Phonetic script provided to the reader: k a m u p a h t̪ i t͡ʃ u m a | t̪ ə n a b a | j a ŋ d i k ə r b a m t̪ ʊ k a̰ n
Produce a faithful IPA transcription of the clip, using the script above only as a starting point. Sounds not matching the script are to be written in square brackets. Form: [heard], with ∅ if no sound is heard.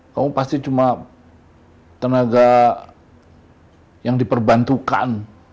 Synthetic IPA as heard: k a m u p a [s] t̪ i t͡ʃ u m a | t̪ ə n a [ɡ] a | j a ŋ d i [p] ə r b a [n] t̪ [u] k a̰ n